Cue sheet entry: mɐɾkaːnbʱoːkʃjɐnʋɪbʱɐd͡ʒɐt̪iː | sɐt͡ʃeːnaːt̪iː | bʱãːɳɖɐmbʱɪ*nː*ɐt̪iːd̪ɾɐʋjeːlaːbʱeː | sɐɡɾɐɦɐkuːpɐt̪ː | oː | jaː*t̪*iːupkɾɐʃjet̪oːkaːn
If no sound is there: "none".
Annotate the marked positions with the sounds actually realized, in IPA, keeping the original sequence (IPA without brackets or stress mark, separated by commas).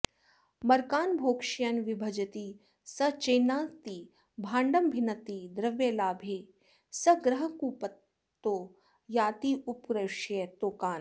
n, t̪